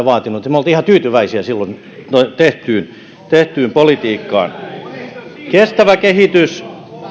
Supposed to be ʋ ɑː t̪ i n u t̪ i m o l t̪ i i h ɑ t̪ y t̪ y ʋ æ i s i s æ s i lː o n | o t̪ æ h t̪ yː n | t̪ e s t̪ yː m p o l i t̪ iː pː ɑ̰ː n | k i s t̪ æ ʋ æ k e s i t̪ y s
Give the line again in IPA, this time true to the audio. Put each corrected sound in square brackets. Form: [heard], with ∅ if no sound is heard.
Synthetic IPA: ʋ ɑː t̪ i n u t̪ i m o l t̪ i i h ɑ t̪ [yː] t̪ y ʋ æ i s i [∅] æ s i lː o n | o t̪ [e] h t̪ yː n | t̪ e [h] t̪ yː m p o l i t̪ iː [kː] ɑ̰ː n | k [e] s t̪ æ ʋ æ k e [h] i t̪ y s